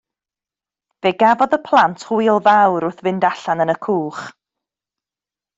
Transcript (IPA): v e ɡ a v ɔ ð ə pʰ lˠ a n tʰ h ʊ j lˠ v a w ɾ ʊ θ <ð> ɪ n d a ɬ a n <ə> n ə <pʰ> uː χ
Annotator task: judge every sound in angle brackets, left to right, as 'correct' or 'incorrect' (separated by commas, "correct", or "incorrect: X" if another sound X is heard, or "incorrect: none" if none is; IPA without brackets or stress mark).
incorrect: v, correct, incorrect: kʰ